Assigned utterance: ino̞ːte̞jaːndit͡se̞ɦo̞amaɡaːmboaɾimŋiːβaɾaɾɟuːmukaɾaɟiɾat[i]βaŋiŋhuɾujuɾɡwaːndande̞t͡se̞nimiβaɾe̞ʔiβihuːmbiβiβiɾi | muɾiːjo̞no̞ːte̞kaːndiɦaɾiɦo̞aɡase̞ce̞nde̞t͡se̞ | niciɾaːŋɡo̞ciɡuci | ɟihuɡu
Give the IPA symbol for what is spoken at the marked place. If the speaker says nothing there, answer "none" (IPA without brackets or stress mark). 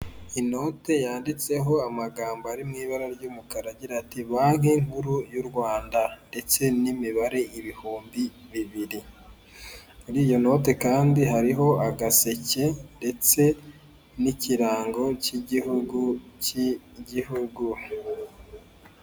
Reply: i